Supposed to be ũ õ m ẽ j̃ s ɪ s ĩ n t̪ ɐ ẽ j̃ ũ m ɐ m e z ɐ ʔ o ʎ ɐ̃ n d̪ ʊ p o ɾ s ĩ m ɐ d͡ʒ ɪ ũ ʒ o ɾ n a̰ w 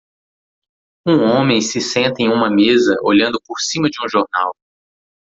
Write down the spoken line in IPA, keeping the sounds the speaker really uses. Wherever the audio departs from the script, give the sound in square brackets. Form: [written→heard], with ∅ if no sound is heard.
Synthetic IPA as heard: ũ õ m ẽ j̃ s ɪ s [ĩ→ẽ] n t̪ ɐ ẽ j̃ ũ m ɐ m e z ɐ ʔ o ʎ ɐ̃ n d̪ ʊ p o ɾ s ĩ m ɐ d͡ʒ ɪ ũ ʒ o ɾ n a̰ w